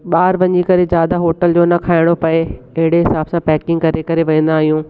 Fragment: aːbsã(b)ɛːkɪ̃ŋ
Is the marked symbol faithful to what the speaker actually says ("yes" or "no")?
no